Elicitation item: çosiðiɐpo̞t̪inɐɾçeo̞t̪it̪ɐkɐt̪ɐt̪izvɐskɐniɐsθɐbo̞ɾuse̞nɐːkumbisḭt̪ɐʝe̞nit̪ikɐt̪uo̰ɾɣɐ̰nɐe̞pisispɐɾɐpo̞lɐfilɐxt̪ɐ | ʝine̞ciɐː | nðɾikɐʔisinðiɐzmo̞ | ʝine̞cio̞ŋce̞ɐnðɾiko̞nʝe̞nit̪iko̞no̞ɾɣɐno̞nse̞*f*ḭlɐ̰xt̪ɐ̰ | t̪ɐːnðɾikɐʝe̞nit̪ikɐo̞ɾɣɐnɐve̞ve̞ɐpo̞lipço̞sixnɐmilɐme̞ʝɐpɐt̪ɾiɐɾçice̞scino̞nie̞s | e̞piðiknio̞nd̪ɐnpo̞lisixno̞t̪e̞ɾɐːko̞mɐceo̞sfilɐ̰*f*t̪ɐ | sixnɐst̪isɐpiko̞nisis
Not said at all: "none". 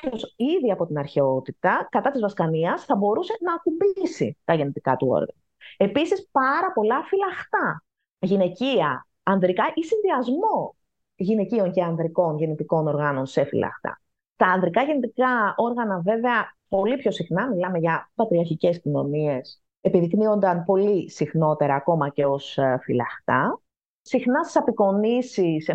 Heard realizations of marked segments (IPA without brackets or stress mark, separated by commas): f, x